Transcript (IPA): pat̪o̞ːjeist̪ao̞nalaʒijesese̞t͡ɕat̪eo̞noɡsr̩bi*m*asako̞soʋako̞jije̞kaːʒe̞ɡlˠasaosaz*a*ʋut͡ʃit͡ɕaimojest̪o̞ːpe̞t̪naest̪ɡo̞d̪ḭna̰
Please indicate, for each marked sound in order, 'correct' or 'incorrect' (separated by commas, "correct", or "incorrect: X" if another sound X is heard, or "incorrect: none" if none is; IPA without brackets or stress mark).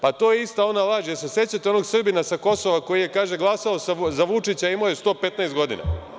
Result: incorrect: n, correct